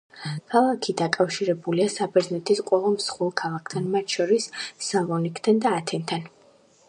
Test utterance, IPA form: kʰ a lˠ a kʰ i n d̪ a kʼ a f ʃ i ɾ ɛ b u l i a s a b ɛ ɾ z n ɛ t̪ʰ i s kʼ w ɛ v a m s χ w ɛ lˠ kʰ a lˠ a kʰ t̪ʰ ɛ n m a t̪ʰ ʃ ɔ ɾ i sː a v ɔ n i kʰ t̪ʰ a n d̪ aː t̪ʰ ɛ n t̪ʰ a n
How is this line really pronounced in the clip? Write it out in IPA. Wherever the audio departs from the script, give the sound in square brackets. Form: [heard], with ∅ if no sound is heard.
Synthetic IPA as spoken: kʰ a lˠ a kʰ i [∅] d̪ a kʼ a f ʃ i ɾ ɛ b u l i a s a b ɛ ɾ z n ɛ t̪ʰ i s [qʼ] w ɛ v a m s χ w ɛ lˠ kʰ a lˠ a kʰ t̪ʰ [a] n m a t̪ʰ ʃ ɔ ɾ i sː a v ɔ n i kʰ t̪ʰ a n d̪ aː t̪ʰ ɛ n t̪ʰ a n